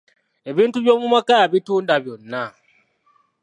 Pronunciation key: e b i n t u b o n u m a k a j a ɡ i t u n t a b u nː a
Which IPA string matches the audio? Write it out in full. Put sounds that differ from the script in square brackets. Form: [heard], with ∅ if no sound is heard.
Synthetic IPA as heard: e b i n t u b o [m] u m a k a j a [b] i t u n [d] a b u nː a